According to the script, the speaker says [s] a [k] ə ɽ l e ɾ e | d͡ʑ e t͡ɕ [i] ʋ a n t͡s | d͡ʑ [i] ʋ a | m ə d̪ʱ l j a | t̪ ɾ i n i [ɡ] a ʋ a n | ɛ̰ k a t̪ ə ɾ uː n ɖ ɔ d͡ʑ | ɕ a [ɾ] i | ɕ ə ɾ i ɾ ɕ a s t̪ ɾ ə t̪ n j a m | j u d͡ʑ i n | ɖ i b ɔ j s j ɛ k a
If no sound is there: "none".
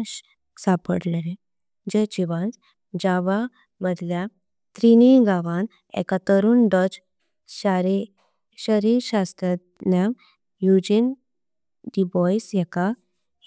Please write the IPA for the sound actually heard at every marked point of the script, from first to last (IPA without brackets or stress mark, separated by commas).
s, p, i, a, ɡ, ɾ